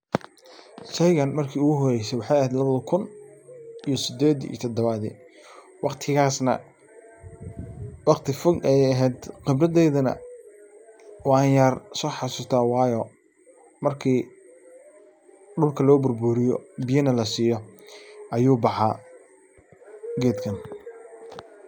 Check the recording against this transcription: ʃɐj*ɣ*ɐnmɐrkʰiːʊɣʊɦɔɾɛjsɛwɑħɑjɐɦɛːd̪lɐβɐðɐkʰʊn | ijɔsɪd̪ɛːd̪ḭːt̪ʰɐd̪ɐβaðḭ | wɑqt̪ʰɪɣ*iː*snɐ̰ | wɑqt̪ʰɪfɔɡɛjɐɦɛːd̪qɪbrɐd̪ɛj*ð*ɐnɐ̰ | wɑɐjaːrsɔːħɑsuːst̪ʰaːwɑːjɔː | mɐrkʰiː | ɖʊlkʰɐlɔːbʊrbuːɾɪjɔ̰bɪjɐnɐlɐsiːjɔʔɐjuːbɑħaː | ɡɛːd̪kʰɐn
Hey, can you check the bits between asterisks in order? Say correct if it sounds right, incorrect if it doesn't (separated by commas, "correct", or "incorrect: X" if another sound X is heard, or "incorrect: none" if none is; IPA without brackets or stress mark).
correct, incorrect: aː, correct